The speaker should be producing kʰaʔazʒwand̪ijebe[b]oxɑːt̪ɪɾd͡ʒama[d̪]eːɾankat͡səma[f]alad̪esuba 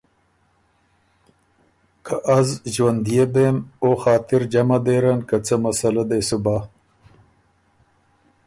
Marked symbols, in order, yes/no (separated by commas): no, yes, no